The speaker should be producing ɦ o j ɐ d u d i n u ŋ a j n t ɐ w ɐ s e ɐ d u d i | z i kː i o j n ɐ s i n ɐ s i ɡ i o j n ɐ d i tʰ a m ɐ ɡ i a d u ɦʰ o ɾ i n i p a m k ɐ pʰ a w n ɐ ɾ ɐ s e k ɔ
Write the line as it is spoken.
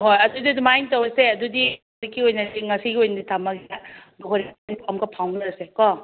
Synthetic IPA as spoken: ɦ o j ɐ d u d i d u m a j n t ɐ w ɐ s e ɐ d u d i | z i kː i o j n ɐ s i ŋ ɐ s i ɡ i o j n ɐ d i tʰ a m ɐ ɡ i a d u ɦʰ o ɾ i n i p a m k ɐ pʰ a w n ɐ ɾ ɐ s e k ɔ

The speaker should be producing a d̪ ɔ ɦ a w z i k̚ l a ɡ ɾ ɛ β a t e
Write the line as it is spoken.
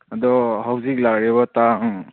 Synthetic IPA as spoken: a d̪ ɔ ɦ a w z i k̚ l a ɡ ɾ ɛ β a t a

